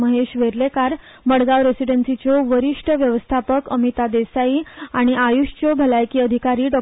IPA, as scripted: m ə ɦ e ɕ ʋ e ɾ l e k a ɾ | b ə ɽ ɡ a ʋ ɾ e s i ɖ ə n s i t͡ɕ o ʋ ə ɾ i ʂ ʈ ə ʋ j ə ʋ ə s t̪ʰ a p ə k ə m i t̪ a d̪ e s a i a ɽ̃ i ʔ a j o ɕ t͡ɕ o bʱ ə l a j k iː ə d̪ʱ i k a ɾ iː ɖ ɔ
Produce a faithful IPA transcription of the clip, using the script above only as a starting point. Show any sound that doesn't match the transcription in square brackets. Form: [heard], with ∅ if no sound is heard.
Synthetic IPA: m ə ɦ e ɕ ʋ e ɾ l e k a ɾ | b ə ɽ ɡ a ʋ ɾ e s i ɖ ə n s i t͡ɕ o ʋ ə ɾ i ʂ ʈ ə ʋ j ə ʋ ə s t̪ʰ a p ə k ə m i t̪ a d̪ e s a i a ɽ̃ i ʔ a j [u] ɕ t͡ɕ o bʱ ə l a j k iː ə d̪ʱ i k a ɾ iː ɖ ɔ